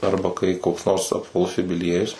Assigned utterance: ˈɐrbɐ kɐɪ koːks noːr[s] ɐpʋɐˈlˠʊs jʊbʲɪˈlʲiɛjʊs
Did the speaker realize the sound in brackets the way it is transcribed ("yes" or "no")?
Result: yes